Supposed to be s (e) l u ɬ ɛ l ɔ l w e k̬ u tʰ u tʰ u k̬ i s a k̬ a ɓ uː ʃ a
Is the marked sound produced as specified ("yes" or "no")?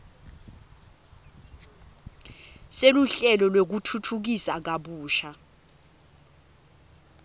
yes